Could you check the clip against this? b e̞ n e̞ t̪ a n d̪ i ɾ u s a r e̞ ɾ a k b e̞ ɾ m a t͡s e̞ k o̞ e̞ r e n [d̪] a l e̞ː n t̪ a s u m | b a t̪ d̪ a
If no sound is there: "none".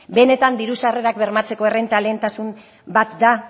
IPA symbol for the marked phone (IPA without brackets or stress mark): t̪